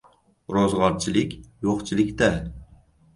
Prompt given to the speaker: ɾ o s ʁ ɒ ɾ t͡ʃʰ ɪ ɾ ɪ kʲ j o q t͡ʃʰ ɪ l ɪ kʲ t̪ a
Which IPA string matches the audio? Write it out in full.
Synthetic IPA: ɾ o z ʁ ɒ ɾ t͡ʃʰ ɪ l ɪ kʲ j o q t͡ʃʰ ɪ l ɪ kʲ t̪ a